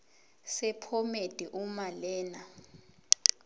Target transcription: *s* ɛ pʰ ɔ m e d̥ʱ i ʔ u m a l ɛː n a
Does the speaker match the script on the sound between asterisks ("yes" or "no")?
yes